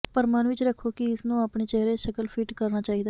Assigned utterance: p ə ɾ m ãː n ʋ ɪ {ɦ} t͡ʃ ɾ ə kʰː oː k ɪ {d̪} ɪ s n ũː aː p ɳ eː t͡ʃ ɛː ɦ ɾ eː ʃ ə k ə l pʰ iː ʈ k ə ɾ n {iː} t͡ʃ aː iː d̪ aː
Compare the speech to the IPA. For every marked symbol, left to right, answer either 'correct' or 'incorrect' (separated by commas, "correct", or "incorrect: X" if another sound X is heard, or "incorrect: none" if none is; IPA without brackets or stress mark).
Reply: incorrect: none, incorrect: none, incorrect: aː